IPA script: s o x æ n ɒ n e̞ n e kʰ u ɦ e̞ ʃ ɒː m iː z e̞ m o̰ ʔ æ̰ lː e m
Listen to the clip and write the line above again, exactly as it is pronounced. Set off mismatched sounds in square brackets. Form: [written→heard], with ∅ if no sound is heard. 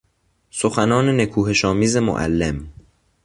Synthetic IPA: s o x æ n [ɒ→ɒː] n e̞ n e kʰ [u→uː] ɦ e̞ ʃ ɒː m iː z e̞ m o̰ ʔ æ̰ lː e m